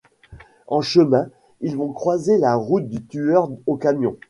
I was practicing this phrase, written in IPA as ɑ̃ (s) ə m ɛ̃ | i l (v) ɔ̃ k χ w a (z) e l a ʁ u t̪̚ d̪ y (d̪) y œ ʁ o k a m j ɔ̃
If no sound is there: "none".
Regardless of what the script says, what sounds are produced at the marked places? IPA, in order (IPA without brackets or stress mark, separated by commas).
ʃ, v, z, t̪